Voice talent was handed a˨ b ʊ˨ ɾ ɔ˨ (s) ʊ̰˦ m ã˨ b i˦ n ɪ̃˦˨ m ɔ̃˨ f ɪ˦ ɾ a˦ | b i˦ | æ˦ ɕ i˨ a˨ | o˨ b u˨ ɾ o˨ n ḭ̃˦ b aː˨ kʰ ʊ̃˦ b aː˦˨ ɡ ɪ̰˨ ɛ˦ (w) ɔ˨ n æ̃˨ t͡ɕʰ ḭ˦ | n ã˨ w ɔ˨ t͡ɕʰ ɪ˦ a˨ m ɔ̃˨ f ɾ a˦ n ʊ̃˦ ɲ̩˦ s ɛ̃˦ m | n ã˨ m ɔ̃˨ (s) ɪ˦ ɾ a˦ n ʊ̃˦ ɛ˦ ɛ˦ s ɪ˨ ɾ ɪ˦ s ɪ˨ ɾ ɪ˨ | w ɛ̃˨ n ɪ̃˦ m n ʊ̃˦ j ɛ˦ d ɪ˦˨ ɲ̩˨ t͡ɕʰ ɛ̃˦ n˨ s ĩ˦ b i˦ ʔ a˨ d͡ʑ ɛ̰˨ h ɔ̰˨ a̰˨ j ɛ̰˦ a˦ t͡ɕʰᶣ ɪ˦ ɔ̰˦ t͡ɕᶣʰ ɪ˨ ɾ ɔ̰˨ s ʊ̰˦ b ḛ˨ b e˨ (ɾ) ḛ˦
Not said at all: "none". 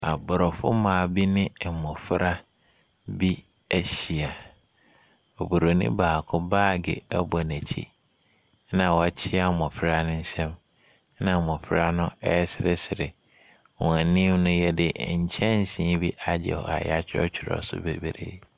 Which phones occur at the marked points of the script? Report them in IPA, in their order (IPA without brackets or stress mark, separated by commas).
f, b, f, ɾ